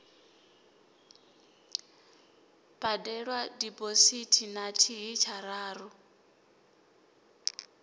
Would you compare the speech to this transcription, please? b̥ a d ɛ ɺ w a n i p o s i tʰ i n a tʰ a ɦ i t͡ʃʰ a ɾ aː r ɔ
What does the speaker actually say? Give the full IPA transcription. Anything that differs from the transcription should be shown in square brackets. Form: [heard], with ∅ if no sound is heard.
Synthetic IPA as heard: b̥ a d ɛ ɺ w a [d] i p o s i tʰ i n a tʰ [i] ɦ i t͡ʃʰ a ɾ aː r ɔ